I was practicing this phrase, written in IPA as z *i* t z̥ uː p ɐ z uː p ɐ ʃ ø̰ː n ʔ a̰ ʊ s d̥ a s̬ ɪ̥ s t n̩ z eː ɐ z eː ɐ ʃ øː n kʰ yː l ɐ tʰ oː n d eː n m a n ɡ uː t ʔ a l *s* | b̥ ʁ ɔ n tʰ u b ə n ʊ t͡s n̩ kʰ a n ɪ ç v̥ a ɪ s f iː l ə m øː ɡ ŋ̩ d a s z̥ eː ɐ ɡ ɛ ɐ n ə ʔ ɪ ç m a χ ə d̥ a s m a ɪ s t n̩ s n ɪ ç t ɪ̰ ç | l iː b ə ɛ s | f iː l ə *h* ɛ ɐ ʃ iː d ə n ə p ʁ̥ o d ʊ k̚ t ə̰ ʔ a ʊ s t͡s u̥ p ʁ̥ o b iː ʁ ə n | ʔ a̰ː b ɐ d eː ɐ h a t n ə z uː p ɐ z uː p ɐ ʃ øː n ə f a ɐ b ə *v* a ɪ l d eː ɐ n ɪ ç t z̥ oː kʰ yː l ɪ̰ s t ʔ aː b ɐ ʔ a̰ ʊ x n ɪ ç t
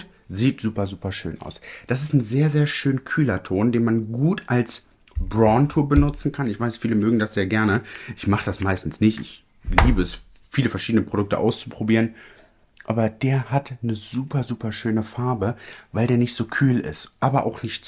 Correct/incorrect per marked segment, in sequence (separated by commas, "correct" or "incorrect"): incorrect, correct, incorrect, correct